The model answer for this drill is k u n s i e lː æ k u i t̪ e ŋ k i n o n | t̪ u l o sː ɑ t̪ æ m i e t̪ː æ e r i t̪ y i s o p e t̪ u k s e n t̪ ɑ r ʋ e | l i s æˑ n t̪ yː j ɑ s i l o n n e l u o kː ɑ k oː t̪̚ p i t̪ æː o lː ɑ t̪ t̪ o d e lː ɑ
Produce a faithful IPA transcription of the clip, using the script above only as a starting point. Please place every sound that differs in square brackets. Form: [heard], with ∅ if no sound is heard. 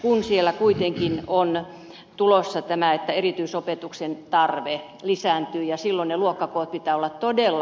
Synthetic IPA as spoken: k u n s i e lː æ k u i t̪ e ŋ k i n o n | t̪ u l o sː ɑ t̪ æ m [æ] e t̪ː æ e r i t̪ y i s o p e t̪ u k s e n t̪ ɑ r ʋ e | l i s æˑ n t̪ yː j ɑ s i [lː] o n n e l u o kː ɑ k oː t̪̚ p i t̪ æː o lː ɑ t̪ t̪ o d e lː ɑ